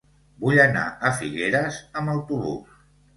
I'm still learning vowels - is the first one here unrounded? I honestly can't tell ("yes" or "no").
no